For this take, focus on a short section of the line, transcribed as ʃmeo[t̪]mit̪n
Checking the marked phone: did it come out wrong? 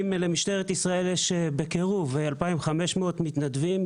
no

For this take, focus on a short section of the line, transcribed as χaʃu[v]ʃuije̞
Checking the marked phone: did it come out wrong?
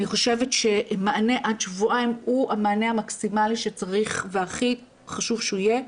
no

